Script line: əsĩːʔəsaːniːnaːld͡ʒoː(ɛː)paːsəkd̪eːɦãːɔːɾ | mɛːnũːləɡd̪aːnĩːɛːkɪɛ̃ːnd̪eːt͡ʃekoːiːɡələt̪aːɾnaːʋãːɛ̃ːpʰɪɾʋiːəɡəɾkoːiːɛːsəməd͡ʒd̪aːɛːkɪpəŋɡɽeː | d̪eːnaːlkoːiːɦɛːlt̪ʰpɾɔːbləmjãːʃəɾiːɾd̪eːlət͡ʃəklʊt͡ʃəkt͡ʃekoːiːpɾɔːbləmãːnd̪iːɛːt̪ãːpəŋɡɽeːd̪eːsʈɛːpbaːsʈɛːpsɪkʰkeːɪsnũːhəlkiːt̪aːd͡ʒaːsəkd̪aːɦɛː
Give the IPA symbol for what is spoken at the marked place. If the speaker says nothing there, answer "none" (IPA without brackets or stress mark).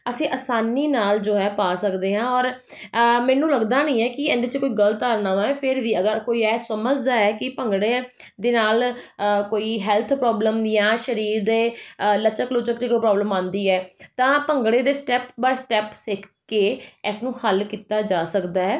ɛː